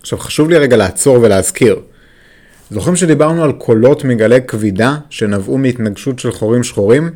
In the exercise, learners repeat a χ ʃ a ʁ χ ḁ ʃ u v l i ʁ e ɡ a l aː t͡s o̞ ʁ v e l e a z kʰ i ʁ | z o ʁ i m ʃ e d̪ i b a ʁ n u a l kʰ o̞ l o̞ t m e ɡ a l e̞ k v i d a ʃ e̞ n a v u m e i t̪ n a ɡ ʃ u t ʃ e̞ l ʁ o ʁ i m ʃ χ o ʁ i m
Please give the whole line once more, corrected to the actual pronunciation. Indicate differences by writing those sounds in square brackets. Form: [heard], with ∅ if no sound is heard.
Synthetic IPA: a χ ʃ a [v] χ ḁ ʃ u v l i ʁ e ɡ a l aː t͡s o̞ ʁ v e l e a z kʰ i ʁ | z o [χ] i m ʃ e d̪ i b a ʁ n u a l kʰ o̞ l o̞ t m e ɡ a l e̞ k v i d a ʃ e̞ n a v u m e i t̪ n a ɡ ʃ u t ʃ e̞ l [χ] o ʁ i m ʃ χ o ʁ i m